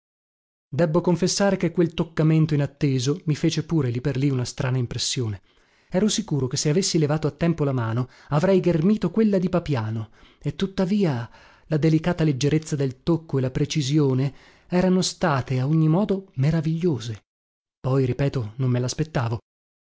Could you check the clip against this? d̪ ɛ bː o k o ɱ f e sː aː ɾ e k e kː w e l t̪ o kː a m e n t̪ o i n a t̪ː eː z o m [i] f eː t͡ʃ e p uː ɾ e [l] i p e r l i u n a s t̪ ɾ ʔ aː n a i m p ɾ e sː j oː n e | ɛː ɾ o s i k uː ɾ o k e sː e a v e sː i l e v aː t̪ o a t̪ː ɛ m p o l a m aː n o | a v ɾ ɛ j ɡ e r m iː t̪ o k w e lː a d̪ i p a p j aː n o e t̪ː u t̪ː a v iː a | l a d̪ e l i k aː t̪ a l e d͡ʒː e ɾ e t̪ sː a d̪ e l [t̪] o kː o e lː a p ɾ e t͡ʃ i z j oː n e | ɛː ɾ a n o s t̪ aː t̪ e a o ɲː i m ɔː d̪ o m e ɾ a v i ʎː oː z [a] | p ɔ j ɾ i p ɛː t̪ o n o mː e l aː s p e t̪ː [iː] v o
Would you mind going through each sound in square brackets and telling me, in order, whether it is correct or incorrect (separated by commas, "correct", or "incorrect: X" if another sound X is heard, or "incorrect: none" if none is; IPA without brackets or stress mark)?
correct, correct, correct, incorrect: e, incorrect: aː